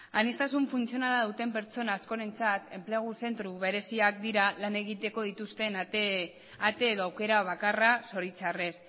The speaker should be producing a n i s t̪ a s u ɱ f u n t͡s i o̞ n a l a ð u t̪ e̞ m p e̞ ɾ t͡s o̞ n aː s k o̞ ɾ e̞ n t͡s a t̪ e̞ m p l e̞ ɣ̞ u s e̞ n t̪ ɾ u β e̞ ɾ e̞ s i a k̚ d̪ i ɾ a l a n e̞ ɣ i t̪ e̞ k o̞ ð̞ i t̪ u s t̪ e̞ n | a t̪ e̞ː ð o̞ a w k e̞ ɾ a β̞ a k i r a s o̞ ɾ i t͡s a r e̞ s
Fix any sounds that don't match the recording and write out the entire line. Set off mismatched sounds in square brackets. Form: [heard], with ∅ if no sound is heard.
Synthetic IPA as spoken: a n i s t̪ a s u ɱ f u n t͡s i o̞ n a l a ð u t̪ e̞ m p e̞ ɾ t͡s o̞ n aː s k o̞ ɾ e̞ n t͡s a t̪ e̞ m p l e̞ ɣ̞ u s e̞ n t̪ ɾ u β e̞ ɾ e̞ s i a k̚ d̪ i ɾ a l a n e̞ ɣ i t̪ e̞ k o̞ ð̞ i t̪ u s t̪ e̞ n | a t̪ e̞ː ð o̞ a w k e̞ ɾ a β̞ a k [a] r a s o̞ ɾ i t͡s a r e̞ s